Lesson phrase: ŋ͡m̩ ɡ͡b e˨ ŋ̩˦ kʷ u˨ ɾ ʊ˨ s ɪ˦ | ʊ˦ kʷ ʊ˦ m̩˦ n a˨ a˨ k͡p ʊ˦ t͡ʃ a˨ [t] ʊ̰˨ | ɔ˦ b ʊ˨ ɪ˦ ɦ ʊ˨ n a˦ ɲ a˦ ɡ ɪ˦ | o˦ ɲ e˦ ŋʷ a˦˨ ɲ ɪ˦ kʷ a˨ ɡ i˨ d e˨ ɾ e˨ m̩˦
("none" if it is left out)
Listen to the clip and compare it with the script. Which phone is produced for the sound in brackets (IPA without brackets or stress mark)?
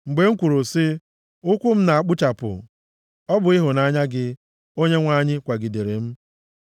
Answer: p